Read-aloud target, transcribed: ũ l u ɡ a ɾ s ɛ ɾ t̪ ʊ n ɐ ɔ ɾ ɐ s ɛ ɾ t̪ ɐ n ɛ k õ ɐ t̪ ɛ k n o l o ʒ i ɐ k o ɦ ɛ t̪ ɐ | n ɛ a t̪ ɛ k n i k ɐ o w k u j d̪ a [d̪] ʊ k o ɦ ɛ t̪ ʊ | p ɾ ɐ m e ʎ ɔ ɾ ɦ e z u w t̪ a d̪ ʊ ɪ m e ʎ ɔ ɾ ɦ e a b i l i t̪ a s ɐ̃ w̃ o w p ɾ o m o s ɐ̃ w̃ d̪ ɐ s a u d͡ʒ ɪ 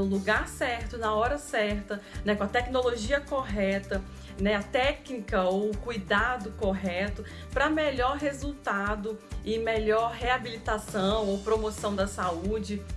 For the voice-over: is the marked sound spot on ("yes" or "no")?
yes